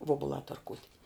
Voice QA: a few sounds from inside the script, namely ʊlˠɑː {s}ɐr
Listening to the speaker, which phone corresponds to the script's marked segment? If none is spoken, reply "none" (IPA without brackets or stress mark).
t